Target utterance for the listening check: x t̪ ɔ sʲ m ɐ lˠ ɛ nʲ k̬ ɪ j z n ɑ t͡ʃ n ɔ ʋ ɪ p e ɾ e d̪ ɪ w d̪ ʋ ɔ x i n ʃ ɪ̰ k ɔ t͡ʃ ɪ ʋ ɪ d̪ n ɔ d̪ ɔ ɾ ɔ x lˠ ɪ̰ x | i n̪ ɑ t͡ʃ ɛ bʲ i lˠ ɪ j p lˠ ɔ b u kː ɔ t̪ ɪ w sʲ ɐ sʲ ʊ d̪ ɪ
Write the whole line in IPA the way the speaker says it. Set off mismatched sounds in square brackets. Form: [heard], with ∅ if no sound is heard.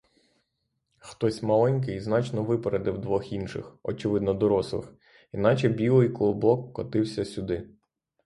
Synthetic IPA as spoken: x t̪ ɔ sʲ m ɐ lˠ ɛ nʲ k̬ ɪ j z n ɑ t͡ʃ n ɔ ʋ ɪ p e ɾ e d̪ ɪ w d̪ ʋ ɔ x i n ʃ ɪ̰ [x] ɔ t͡ʃ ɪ ʋ ɪ d̪ n ɔ d̪ ɔ ɾ ɔ [s] lˠ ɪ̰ x | i n̪ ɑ t͡ʃ ɛ bʲ i lˠ ɪ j [k] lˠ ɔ b [ɔ] kː ɔ t̪ ɪ w sʲ ɐ sʲ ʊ d̪ ɪ